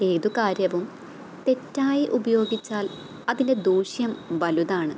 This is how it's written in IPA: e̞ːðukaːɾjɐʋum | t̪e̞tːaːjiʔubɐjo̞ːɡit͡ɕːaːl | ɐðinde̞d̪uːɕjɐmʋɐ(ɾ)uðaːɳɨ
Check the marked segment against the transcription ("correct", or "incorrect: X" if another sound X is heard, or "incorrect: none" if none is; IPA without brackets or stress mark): incorrect: l